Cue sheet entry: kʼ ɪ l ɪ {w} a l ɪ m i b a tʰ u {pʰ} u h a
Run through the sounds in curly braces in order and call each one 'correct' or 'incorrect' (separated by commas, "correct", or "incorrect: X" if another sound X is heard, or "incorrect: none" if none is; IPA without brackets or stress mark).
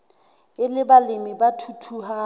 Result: incorrect: b, incorrect: tʰ